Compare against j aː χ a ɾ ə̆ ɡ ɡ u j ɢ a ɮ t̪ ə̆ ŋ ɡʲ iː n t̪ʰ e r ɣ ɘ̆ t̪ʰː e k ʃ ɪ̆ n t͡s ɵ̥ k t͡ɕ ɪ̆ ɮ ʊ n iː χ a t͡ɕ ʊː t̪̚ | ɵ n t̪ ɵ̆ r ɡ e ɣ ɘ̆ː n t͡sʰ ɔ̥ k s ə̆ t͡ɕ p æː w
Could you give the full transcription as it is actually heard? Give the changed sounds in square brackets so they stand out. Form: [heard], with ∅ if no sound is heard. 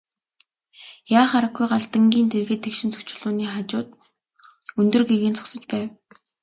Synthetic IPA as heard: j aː χ a ɾ ə̆ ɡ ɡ u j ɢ a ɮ t̪ ə̆ ŋ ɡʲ iː n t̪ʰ e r ɣ ɘ̆ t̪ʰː e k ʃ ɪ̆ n t͡s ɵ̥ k t͡ɕ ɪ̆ ɮ [ʊː] n iː χ a t͡ɕ ʊː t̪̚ | ɵ n t̪ ɵ̆ r ɡ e ɣ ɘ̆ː n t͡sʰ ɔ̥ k s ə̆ t͡ɕ p æː w